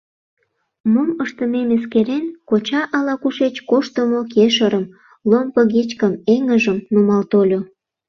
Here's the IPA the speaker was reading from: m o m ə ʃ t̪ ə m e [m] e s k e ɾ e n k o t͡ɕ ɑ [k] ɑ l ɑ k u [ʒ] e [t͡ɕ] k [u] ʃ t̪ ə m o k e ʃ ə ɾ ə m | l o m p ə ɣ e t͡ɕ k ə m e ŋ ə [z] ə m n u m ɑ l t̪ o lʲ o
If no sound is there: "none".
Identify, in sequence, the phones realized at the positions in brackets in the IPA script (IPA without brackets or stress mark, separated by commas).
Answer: m, ʔ, ʃ, t͡ɕ, o, ʒ